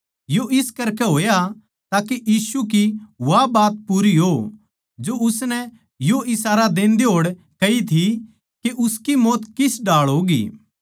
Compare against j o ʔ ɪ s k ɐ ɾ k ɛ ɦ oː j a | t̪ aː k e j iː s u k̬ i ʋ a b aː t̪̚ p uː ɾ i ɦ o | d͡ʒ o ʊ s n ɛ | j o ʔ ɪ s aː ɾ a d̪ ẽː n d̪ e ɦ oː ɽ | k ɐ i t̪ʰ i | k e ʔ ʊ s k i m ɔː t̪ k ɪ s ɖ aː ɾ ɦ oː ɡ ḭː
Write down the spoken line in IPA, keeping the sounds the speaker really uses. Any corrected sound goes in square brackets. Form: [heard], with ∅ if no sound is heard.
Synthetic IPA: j o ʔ ɪ s k ɐ ɾ k ɛ ɦ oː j a | t̪ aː k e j iː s u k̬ i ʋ a b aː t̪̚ p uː ɾ i ɦ o | d͡ʒ o ʊ s n ɛ | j o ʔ ɪ s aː ɾ a d̪ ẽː n d̪ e ɦ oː ɽ | k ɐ i t̪ʰ i | k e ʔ ʊ s k i m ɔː t̪ k ɪ s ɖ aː [ɭ] ɦ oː ɡ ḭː